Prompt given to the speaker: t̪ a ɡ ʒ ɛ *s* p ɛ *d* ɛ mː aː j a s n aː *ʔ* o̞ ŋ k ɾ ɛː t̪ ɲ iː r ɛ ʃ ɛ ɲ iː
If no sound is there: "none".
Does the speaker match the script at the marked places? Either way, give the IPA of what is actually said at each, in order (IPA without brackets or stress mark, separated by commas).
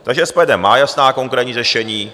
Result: s, d, k